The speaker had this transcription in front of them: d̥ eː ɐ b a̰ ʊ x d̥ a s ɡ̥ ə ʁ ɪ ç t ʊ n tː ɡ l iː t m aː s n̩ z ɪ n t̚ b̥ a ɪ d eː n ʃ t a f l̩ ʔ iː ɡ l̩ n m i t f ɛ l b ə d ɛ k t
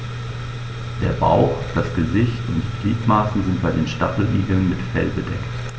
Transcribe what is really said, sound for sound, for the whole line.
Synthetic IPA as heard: d̥ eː ɐ b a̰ ʊ x d̥ a s ɡ̥ ə z ɪ ç t ʊ n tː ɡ l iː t m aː s n̩ z ɪ n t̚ b̥ a ɪ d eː n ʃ t a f l̩ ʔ iː ɡ l̩ n m ɪ t f ɛ l b ə d ɛ k t